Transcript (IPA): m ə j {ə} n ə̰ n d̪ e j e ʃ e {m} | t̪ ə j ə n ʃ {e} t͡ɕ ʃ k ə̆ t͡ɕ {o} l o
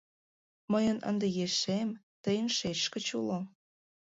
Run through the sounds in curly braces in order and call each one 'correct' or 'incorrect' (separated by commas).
correct, correct, correct, incorrect